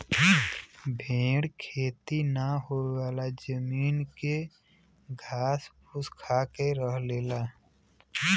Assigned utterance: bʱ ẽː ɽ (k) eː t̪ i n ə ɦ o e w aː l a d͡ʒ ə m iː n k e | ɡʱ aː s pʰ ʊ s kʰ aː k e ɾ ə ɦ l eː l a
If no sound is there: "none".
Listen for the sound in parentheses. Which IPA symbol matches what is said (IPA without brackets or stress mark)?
kʰ